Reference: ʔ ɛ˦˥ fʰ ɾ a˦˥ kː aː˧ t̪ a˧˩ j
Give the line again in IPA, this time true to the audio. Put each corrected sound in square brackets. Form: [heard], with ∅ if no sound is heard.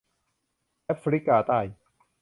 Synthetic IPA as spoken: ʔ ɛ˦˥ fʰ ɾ [i˦˥] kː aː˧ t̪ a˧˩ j